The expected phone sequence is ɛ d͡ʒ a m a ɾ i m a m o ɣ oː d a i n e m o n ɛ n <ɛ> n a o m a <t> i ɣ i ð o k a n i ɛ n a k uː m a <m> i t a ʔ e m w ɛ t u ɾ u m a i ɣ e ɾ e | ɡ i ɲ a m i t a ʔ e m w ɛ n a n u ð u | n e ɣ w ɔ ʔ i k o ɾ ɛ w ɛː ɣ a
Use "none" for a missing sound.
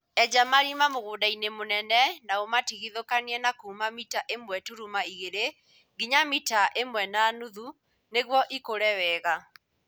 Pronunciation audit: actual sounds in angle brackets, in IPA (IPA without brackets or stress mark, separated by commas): ɛ, t, m